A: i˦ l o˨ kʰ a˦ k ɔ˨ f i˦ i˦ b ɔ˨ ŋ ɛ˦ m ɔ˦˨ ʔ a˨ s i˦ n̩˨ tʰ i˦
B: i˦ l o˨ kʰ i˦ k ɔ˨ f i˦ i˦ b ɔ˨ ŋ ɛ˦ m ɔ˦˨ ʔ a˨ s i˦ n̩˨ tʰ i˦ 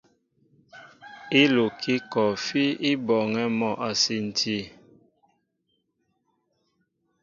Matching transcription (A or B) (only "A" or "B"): B